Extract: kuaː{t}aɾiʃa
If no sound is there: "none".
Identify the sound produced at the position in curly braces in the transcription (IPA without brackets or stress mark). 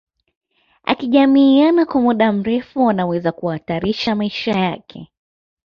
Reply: t